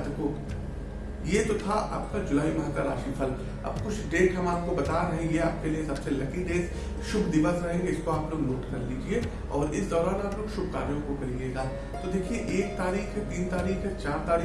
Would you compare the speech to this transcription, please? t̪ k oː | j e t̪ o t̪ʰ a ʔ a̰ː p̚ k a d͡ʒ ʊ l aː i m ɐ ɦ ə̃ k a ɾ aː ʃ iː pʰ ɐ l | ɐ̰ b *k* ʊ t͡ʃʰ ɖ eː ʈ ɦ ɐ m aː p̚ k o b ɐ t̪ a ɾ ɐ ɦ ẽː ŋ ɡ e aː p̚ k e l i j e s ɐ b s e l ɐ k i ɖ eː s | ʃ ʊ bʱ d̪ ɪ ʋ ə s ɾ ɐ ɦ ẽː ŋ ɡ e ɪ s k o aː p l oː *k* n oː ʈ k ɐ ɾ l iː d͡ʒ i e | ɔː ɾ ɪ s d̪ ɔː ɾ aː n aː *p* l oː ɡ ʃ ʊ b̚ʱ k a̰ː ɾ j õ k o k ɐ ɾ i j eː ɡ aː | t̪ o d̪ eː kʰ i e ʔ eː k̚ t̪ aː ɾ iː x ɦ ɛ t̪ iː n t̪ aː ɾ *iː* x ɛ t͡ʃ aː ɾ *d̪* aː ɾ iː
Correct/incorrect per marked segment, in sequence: correct, incorrect: ɡ, correct, correct, incorrect: t̪

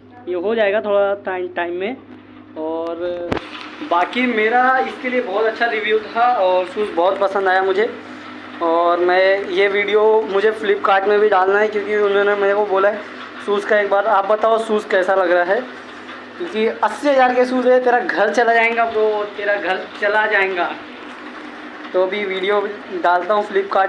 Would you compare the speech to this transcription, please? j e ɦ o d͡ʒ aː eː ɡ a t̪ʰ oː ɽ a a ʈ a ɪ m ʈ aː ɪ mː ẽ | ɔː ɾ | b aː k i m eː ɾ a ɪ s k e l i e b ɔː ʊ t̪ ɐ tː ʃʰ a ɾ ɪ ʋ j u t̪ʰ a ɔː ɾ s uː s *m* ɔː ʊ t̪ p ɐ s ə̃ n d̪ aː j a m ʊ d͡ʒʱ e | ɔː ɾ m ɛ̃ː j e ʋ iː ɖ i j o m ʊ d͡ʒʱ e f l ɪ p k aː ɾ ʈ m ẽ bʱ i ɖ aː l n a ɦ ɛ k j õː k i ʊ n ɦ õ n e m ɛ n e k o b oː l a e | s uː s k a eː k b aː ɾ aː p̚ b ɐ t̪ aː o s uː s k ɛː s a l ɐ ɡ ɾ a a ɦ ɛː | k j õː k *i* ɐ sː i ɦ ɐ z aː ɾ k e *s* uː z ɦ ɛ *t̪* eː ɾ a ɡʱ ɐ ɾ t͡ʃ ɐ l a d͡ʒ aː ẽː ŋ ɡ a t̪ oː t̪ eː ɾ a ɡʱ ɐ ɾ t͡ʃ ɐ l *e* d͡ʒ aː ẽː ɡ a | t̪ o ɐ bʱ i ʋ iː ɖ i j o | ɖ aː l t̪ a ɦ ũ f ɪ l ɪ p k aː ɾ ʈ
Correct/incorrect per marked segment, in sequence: incorrect: b, correct, correct, correct, incorrect: a

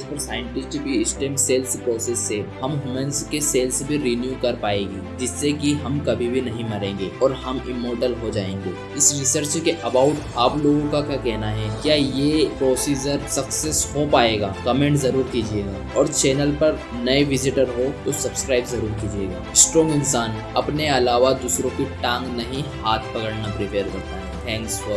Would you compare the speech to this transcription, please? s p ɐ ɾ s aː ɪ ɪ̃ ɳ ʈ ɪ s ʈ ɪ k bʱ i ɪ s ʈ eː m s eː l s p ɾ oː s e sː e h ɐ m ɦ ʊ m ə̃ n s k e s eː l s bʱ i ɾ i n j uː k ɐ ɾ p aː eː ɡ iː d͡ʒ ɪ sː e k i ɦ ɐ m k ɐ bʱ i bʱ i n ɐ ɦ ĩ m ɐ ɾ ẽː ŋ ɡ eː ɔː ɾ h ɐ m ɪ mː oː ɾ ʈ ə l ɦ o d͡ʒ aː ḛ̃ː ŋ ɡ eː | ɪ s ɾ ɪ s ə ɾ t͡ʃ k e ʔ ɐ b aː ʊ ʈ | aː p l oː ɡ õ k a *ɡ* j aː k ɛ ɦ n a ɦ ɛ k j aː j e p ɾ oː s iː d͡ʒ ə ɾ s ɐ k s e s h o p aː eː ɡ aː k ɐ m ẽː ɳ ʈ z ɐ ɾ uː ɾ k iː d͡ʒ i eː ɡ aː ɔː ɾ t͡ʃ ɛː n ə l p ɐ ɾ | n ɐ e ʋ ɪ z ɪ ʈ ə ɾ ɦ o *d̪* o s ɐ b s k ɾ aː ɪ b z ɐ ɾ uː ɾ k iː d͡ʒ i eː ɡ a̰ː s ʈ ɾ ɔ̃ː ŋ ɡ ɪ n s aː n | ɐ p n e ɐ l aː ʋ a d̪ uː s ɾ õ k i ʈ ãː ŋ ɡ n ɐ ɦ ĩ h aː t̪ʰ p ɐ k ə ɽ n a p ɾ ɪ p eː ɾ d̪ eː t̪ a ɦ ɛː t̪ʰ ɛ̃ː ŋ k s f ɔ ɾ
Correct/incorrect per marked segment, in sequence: incorrect: k, incorrect: t̪

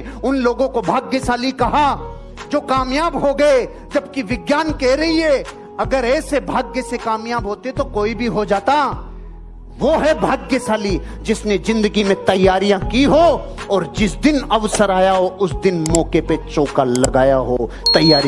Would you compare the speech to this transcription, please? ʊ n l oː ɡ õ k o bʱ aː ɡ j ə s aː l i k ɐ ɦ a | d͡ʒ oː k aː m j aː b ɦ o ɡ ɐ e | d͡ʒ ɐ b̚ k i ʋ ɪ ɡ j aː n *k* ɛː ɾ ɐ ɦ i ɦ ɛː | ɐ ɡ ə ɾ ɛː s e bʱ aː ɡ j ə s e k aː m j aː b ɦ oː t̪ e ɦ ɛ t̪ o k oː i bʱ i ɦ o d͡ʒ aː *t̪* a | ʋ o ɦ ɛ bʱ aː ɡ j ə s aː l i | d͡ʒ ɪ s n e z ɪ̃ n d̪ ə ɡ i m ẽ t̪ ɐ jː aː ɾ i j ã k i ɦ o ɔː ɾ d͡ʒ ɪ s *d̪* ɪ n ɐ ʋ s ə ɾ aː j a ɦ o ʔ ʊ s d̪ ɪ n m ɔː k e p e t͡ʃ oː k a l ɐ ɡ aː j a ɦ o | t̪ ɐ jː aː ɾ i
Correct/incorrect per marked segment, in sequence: correct, correct, correct

